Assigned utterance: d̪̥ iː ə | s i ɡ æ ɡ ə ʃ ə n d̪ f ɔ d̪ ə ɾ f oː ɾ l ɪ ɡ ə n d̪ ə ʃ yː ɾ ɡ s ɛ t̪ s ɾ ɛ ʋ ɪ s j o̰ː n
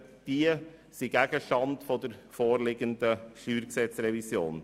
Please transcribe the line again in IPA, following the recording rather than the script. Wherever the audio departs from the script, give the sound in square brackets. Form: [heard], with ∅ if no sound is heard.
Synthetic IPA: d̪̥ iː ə | s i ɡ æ ɡ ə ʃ [ɑ] n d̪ f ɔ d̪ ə ɾ f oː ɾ l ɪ ɡ ə n d̪ ə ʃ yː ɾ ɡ s ɛ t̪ s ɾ ɛ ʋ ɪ s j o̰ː n